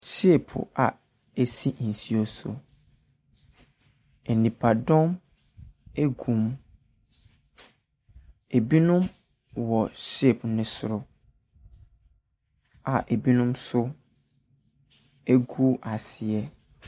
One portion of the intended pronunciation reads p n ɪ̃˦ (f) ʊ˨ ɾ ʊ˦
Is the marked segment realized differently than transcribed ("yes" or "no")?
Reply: yes